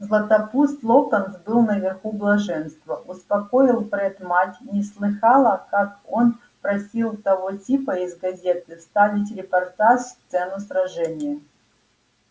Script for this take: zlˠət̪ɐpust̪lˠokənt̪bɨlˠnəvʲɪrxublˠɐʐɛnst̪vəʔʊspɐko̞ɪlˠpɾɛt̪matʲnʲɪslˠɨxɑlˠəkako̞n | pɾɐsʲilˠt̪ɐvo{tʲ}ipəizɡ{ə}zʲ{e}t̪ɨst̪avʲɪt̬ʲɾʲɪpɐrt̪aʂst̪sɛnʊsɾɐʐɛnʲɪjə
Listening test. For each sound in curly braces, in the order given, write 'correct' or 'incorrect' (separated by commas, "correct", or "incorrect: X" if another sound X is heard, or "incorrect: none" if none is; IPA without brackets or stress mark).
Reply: correct, incorrect: ɐ, correct